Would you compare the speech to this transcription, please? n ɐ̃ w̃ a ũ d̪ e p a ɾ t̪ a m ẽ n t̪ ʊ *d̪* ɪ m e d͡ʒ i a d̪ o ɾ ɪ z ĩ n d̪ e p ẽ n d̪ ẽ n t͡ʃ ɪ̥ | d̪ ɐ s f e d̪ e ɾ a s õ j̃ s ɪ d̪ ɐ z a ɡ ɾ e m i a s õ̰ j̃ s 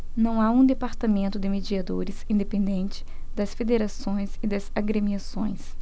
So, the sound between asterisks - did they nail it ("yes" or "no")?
yes